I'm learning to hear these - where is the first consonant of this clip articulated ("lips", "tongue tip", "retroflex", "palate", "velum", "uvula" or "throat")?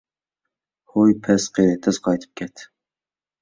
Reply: throat